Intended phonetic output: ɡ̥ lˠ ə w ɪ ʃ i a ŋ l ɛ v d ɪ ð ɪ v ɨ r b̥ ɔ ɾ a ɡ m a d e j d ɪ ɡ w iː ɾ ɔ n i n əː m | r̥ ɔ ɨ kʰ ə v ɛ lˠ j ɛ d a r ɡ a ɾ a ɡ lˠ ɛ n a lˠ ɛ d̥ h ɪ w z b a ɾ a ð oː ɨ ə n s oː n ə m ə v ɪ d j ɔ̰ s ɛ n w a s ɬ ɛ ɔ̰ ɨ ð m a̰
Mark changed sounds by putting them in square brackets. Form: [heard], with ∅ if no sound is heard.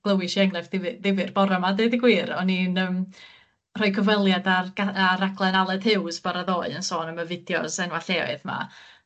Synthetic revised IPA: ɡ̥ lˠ ə w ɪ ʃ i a ŋ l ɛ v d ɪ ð ɪ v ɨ r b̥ ɔ ɾ a [∅] m a d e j d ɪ ɡ w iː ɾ ɔ n i n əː m | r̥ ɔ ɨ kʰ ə v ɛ lˠ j [a] d a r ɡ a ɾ a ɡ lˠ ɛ n a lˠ ɛ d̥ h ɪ w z b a ɾ a ð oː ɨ ə n s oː n ə m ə v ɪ d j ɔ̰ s ɛ n w a [∅] ɬ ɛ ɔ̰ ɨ ð m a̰